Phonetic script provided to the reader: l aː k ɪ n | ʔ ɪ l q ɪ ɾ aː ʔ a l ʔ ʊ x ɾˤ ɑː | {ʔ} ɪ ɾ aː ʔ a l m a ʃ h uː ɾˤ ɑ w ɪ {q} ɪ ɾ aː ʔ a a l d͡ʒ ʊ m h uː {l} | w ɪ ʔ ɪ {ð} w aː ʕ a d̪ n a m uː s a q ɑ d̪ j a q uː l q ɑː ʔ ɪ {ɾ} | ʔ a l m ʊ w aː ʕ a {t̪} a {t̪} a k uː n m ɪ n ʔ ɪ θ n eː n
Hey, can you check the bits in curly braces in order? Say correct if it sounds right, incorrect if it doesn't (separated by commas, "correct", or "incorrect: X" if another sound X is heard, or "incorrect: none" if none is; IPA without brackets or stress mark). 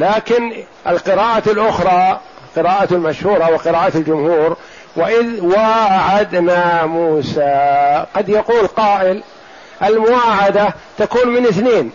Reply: incorrect: q, correct, incorrect: ɾ, correct, incorrect: l, incorrect: d̪, correct